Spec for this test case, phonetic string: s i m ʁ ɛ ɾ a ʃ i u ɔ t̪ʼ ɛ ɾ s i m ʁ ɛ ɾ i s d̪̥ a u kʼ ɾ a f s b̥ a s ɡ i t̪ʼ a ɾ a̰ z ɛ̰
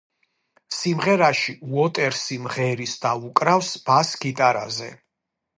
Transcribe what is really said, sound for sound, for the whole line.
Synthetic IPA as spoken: s i m ʁ ɛ ɾ a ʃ i u ɔ t̪ʼ ɛ ɾ s i m ʁ ɛ ɾ i s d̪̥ a u kʼ ɾ a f s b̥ a s ɡ i t̪ʼ a ɾ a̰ z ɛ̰

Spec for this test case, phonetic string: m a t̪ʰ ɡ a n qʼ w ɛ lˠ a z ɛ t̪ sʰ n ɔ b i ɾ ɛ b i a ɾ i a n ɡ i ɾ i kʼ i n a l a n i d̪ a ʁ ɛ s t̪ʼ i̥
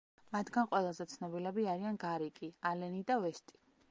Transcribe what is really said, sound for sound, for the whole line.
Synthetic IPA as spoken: m a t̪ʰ ɡ a n qʼ w ɛ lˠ a z ɛ t̪ sʰ n ɔ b i l ɛ b i a ɾ i a n ɡ a ɾ i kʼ i a l ɛ n i d̪ a v ɛ s t̪ʼ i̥

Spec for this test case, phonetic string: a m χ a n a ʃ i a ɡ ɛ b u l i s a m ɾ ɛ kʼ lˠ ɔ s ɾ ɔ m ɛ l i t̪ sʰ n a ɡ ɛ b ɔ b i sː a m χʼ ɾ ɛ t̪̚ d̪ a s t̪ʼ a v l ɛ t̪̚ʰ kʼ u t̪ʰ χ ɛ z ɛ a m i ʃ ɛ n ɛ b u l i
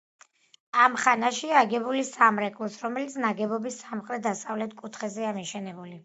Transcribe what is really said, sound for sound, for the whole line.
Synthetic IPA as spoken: a m χ a n a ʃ i a ɡ ɛ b u l i s a m ɾ ɛ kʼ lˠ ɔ s ɾ ɔ m ɛ l i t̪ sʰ n a ɡ ɛ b ɔ b i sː a m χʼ ɾ ɛ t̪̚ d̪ a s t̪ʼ a v l ɛ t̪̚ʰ kʼ u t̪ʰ χ ɛ z ɛ a m i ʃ ɛ n ɛ b u l i

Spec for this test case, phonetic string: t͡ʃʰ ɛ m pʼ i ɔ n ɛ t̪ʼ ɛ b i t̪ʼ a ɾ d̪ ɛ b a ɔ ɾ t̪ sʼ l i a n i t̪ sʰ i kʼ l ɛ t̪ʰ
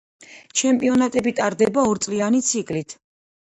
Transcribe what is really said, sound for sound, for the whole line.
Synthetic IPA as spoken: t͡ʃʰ ɛ m pʼ i ɔ n a t̪ʼ ɛ b i t̪ʼ a ɾ d̪ ɛ b a ɔ ɾ t̪ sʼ l i a n i t̪ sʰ i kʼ l i t̪ʰ

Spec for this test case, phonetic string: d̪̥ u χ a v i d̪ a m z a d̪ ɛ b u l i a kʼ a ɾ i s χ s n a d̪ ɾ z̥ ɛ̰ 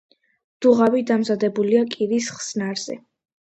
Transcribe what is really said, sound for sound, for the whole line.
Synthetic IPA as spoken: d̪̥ u ʁ a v i d̪ a m z a d̪ ɛ b u l i a kʼ i ɾ i s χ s n a ɾ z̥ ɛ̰

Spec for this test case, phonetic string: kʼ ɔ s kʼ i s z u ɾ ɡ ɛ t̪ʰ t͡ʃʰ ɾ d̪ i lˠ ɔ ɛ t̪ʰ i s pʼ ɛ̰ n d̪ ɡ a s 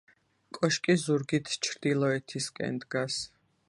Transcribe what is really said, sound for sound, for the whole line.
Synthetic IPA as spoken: kʼ ɔ ʃ kʼ i z u ɾ ɡ i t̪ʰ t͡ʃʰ ɾ d̪ i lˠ ɔ ɛ t̪ʰ i s kʼ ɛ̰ n d̪ ɡ a s

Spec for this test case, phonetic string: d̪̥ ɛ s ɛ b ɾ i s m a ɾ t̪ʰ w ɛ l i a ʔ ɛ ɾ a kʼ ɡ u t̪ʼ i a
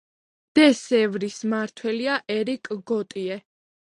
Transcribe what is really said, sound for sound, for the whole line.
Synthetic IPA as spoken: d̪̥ ɛ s ɛ v ɾ i s m a ɾ t̪ʰ w ɛ l i a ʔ ɛ ɾ i kʼ ɡ ɔ t̪ʼ i ɛ

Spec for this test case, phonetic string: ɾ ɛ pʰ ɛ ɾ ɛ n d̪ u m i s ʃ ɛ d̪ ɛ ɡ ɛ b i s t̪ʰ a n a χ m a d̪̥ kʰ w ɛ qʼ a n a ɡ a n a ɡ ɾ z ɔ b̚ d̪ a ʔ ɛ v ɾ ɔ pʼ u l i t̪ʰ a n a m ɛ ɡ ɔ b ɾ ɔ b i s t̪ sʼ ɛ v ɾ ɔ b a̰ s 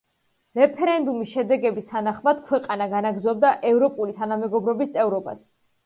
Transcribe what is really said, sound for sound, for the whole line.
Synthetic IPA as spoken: ɾ ɛ pʰ ɛ ɾ ɛ n d̪ u m i s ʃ ɛ d̪ ɛ ɡ ɛ b i s t̪ʰ a n a χ m a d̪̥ kʰ w ɛ qʼ a n a ɡ a n a ɡ ɾ z ɔ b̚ d̪ a ʔ ɛ v ɾ ɔ pʼ u l i t̪ʰ a n a m ɛ ɡ ɔ b ɾ ɔ b i s t̪ sʼ ɛ v ɾ ɔ b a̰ s

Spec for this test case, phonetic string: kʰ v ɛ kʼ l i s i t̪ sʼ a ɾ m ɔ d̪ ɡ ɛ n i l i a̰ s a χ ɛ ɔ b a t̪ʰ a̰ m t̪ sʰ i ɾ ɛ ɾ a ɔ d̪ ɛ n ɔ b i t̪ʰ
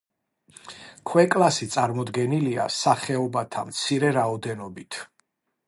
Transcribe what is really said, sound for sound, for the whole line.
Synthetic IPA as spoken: kʰ w ɛ kʼ l a s i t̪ sʼ a ɾ m ɔ d̪ ɡ ɛ n i l i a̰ s a χ ɛ ɔ b a t̪ʰ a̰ m t̪ sʰ i ɾ ɛ ɾ a ɔ d̪ ɛ n ɔ b i t̪ʰ

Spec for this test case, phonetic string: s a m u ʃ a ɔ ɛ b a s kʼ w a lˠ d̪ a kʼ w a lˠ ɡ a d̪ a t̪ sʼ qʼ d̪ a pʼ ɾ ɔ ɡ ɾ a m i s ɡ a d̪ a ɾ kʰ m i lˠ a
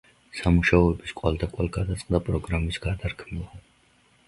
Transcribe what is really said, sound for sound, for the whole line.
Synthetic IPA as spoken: s a m u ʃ a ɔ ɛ b i s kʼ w a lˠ d̪ a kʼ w a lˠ ɡ a d̪ a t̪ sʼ qʼ d̪ a pʼ ɾ ɔ ɡ ɾ a m i s ɡ a d̪ a ɾ kʰ m i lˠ a

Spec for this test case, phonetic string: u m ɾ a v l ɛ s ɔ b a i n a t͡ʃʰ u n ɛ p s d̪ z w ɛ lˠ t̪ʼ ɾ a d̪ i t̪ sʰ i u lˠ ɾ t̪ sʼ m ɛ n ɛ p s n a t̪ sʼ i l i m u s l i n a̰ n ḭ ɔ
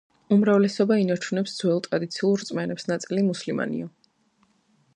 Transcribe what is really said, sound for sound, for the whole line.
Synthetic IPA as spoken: u m ɾ a v l ɛ s ɔ b a i n a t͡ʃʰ u n ɛ p s d̪ z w ɛ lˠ t̪ʼ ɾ a d̪ i t̪ sʰ i u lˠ ɾ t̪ sʼ m ɛ n ɛ p s n a t̪ sʼ i l i m u s l i m a̰ n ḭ ɔ

